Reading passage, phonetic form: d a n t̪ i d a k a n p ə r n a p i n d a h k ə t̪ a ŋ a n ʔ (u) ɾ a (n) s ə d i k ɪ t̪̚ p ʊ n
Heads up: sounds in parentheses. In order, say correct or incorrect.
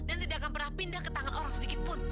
incorrect: o, incorrect: ŋ

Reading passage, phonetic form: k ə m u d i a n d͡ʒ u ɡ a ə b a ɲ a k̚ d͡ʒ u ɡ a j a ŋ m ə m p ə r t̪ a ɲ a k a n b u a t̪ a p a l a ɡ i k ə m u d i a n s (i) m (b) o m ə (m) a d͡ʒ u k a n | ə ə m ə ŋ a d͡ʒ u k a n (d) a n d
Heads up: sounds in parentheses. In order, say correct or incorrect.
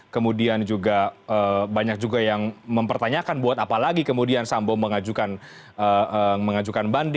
incorrect: a, correct, incorrect: ŋ, incorrect: b

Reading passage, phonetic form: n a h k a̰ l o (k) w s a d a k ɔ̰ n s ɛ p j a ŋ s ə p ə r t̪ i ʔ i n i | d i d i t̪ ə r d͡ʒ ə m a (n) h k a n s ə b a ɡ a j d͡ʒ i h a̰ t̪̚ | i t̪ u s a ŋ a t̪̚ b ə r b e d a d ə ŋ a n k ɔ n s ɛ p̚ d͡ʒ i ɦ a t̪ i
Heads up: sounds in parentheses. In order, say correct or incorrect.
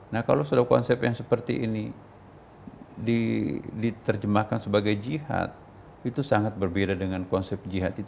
incorrect: none, incorrect: none

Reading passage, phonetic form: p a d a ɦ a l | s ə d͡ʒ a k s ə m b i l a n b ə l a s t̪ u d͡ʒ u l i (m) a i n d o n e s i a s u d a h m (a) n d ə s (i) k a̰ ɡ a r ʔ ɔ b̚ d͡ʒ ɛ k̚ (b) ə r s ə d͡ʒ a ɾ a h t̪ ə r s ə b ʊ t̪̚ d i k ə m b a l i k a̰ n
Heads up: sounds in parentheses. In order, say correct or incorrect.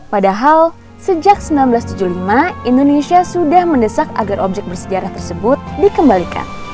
correct, incorrect: ə, incorrect: a, correct

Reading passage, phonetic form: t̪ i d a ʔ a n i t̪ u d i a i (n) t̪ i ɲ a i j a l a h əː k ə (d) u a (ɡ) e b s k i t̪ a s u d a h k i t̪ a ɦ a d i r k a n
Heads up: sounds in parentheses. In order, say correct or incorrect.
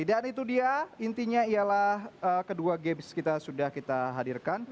correct, correct, correct

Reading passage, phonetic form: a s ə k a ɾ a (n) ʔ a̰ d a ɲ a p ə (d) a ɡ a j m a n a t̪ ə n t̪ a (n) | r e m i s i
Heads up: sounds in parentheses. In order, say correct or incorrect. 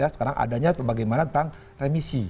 incorrect: ŋ, incorrect: b, incorrect: ŋ

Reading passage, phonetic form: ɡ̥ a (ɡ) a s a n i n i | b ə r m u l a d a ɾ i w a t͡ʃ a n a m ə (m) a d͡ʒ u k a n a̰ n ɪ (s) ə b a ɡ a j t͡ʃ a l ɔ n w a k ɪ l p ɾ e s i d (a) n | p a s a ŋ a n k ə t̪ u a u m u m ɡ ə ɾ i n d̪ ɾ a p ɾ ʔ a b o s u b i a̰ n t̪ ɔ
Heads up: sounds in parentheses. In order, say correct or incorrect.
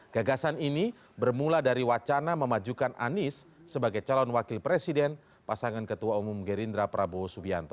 correct, correct, incorrect: sː, incorrect: ɛ

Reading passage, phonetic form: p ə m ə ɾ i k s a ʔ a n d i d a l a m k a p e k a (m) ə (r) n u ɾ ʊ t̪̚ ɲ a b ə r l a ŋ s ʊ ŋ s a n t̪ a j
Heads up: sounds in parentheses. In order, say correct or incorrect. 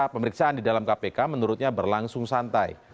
correct, incorrect: none

